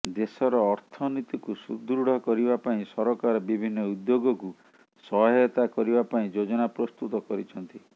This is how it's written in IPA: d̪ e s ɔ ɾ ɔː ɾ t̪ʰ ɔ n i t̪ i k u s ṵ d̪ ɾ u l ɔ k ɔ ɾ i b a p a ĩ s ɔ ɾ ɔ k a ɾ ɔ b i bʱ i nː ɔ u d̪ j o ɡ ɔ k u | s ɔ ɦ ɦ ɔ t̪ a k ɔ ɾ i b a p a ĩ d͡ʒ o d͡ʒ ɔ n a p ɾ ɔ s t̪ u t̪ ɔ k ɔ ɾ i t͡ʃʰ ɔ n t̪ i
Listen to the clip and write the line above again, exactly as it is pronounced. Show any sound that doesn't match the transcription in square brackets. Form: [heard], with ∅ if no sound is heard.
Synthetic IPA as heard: d̪ e s ɔ ɾ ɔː ɾ t̪ʰ ɔ n i t̪ i k u s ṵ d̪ ɾ u [ɽ] ɔ k ɔ ɾ i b a p a ĩ s ɔ ɾ ɔ k a ɾ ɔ b i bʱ i nː ɔ u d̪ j o ɡ ɔ k u | s ɔ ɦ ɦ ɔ t̪ a k ɔ ɾ i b a p a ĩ d͡ʒ o d͡ʒ ɔ n a p ɾ ɔ s t̪ u t̪ ɔ k ɔ ɾ i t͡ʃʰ ɔ n t̪ i